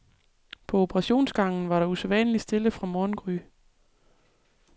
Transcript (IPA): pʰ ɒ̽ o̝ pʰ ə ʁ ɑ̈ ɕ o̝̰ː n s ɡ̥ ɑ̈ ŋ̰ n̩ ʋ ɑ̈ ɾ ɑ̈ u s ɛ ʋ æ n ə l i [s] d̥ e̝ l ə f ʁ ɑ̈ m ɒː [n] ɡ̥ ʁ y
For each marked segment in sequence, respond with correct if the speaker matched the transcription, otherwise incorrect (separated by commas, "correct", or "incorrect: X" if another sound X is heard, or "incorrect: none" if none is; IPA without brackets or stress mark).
correct, correct